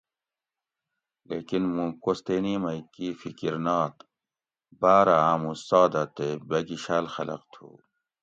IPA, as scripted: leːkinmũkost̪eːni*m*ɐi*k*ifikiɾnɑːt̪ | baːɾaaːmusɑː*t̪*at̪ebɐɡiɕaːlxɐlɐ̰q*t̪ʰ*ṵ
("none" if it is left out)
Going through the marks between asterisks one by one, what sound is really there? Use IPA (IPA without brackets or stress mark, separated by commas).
m, k, d̪, t̪ʰ